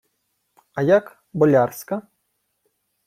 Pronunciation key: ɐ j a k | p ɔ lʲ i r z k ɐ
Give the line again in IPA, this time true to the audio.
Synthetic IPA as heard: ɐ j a k | b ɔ lʲ a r s k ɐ